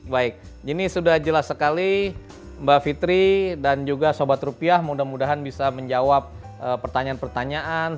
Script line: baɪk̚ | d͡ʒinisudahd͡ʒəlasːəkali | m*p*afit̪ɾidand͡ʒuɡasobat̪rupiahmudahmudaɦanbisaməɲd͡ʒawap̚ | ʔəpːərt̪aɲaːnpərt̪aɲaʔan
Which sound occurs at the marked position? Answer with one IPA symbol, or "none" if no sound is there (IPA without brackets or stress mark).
b